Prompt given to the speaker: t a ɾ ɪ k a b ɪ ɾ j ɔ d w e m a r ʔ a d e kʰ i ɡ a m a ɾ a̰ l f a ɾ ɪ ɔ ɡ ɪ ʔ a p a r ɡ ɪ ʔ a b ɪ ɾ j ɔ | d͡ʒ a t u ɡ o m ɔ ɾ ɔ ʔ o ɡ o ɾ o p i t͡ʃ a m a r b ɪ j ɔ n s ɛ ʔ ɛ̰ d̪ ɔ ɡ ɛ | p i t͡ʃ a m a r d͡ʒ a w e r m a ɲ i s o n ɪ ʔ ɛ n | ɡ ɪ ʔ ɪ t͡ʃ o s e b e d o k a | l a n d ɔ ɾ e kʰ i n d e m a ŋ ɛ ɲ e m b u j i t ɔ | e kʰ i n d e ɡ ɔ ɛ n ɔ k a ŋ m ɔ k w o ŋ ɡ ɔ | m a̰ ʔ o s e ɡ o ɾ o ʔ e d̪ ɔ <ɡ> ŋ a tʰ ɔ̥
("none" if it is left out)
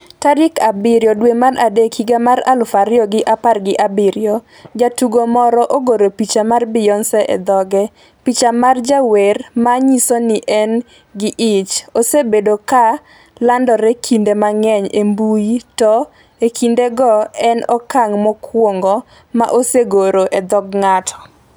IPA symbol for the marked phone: ɡ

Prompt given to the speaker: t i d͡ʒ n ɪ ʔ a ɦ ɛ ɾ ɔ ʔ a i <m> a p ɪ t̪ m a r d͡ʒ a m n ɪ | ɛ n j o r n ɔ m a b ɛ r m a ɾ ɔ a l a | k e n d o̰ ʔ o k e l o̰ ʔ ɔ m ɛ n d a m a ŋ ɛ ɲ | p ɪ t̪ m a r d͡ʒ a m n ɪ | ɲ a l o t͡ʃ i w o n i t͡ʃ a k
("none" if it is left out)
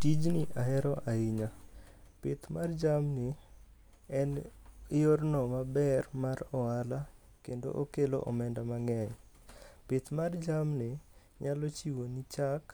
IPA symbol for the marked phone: ɲ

